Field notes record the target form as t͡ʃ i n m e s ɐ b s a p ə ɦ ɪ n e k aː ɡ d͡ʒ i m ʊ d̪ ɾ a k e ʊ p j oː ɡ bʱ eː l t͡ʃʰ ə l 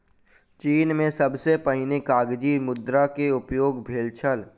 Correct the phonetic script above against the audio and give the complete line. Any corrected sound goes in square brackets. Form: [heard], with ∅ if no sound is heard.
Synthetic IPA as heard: t͡ʃ [iː] n m [ẽ] s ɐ b s [e] p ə ɦ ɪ n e k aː ɡ d͡ʒ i m ʊ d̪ ɾ a k e ʊ p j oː ɡ bʱ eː l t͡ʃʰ ə l